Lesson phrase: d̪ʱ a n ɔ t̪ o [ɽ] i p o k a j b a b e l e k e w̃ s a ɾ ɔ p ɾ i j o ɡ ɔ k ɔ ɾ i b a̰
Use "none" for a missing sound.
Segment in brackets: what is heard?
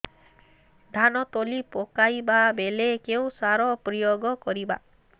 l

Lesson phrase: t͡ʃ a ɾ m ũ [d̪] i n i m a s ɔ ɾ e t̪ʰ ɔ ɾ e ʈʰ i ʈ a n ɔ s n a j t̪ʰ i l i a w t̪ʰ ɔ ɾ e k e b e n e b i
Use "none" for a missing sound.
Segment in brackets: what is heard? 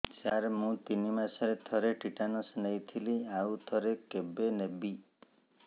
t̪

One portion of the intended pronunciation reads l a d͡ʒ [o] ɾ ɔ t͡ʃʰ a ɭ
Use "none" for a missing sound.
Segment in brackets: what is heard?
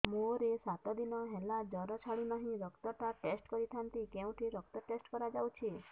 ɔ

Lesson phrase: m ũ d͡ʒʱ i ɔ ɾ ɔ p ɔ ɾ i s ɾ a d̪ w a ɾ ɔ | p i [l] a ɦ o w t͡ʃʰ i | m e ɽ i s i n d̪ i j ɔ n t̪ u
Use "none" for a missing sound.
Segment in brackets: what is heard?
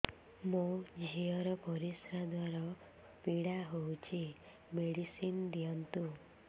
ɽ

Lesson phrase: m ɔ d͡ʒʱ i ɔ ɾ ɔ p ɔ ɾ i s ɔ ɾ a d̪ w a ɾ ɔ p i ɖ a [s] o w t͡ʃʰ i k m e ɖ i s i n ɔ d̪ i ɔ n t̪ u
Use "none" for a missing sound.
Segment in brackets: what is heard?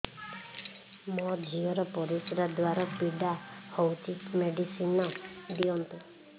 h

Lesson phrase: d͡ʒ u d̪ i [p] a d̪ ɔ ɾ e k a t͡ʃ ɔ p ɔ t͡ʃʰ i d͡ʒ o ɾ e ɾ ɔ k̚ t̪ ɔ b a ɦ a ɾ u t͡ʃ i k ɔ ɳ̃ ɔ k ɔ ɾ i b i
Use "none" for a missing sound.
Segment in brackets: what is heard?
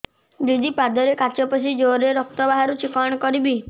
p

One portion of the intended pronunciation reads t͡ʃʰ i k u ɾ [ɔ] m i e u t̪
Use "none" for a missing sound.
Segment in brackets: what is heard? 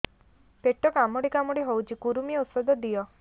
u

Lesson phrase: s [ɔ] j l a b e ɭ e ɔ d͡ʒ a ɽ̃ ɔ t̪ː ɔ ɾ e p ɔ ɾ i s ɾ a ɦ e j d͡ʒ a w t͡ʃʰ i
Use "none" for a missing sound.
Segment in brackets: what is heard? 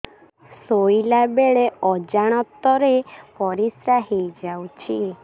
o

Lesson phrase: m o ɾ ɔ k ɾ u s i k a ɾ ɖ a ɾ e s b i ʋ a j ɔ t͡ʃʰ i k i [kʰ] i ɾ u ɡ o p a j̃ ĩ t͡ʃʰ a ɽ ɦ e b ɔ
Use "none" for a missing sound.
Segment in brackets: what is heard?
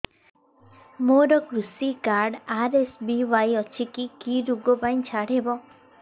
k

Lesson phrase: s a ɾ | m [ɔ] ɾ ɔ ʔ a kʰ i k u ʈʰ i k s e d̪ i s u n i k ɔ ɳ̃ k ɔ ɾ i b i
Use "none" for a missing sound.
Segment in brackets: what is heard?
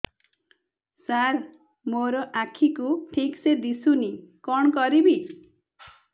o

